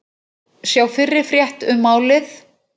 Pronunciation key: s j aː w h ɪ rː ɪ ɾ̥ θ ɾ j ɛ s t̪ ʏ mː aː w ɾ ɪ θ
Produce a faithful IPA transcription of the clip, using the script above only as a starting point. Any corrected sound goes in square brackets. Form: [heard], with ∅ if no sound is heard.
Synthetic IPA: s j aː w [f] ɪ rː ɪ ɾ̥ [f] ɾ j ɛ [h] t̪ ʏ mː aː w [l] ɪ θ